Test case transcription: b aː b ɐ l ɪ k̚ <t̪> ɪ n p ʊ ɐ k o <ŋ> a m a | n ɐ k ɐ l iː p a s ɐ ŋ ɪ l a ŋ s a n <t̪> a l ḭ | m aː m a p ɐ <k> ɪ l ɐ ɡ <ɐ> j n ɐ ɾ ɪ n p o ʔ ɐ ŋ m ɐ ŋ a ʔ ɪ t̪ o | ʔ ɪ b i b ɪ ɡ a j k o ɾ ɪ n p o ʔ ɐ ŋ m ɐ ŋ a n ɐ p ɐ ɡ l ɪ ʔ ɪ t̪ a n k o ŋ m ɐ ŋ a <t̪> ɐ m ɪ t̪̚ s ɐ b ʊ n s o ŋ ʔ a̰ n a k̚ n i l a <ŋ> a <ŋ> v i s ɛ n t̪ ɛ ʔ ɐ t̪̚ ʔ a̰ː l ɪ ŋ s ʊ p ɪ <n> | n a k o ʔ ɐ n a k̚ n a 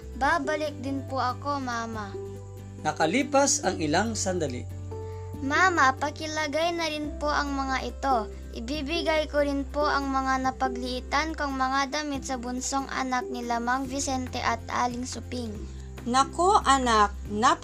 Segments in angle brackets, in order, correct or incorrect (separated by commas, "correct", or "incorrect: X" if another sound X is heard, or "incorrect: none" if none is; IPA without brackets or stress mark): incorrect: d̪, incorrect: m, incorrect: d̪, correct, incorrect: a, incorrect: d̪, incorrect: m, correct, incorrect: ŋ